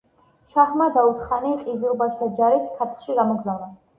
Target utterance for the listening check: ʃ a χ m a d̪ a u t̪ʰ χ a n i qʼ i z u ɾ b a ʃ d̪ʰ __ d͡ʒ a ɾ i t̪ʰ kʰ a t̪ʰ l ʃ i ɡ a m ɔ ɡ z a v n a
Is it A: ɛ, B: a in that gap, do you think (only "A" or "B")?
B